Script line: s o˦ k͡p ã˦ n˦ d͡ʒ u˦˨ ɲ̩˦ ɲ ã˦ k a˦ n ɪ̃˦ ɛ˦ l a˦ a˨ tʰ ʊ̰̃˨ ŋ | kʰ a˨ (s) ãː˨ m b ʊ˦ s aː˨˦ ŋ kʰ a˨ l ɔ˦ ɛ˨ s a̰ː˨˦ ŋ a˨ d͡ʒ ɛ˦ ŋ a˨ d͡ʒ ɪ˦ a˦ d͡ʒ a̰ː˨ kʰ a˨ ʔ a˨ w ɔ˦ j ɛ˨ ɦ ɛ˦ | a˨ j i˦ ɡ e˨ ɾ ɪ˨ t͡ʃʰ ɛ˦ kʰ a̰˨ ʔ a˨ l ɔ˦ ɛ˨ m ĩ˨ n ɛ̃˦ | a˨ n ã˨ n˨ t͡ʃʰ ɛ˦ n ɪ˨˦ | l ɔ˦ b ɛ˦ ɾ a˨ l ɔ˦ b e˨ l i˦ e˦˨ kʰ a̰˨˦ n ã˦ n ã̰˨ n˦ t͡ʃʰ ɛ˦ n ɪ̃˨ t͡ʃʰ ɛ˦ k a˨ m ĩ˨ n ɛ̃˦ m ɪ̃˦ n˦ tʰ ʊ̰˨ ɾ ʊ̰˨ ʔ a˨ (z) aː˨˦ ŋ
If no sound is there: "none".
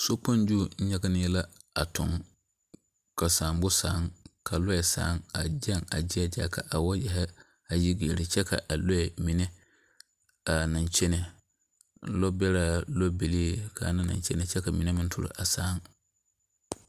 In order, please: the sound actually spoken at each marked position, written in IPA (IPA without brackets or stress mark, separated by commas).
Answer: s, s